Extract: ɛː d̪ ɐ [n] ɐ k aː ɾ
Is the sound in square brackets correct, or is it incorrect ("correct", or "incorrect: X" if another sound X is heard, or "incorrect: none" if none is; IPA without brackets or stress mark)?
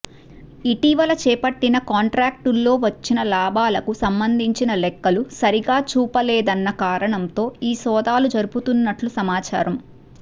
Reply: incorrect: nː